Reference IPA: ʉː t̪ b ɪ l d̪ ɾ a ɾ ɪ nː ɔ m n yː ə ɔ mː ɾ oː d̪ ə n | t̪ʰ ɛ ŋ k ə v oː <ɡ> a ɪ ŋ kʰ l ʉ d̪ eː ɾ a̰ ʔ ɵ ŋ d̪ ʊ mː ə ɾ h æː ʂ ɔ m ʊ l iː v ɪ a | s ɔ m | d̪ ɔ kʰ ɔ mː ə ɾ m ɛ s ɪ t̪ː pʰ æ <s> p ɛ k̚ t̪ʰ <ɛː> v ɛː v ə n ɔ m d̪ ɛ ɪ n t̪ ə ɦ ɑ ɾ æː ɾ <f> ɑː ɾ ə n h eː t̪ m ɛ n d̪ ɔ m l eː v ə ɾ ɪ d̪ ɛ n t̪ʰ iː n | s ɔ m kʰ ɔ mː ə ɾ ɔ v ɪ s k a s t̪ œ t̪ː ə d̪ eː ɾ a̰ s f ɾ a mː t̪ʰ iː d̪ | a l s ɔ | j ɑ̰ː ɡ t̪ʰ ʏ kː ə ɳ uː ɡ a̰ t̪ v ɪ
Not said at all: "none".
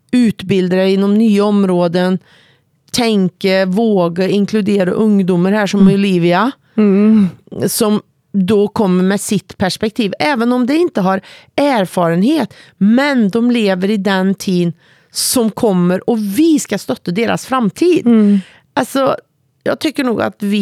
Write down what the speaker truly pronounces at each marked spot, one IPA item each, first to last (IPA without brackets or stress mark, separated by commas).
ɡ, ʂ, iː, f